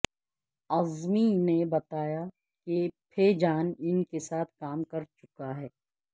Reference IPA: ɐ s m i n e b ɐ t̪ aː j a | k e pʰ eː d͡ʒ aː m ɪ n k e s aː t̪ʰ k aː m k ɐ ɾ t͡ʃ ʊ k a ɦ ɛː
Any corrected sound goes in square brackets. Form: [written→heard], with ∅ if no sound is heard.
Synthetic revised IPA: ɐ [s→z] m i n e b ɐ t̪ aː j a | k e pʰ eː d͡ʒ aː [m→n] ɪ n k e s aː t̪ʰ k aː m k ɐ ɾ t͡ʃ ʊ k a ɦ ɛː